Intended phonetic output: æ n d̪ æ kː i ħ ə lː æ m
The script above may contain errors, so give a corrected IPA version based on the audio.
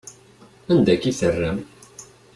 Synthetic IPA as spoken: æ n d̪ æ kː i θ ə rː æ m